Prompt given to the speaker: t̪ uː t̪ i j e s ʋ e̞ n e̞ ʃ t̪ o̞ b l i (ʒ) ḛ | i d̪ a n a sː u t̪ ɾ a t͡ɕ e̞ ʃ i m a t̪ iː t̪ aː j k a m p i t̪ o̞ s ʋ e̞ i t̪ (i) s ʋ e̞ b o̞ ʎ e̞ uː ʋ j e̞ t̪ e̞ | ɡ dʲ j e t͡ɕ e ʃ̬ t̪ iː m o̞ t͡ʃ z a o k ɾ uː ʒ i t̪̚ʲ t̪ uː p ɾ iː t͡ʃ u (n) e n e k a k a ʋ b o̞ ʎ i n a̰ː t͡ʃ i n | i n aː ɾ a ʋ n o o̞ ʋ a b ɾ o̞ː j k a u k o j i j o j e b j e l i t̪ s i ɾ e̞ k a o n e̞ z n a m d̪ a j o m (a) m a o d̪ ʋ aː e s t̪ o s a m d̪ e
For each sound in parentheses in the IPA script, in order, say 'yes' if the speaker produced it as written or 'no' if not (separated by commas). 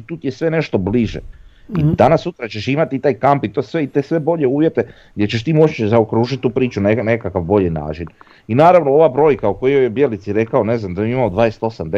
yes, no, yes, no